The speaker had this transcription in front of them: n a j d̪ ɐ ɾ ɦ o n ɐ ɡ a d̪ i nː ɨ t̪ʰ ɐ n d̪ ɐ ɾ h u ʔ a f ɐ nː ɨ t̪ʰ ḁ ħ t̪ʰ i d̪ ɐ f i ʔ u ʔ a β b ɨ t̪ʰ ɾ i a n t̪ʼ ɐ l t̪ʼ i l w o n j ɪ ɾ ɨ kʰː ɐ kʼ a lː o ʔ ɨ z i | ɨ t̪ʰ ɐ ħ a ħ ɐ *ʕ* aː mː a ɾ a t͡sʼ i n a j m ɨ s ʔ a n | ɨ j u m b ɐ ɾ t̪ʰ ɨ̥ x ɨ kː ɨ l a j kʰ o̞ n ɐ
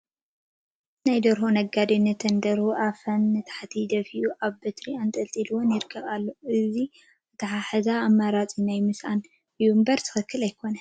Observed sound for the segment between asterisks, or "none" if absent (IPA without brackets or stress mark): z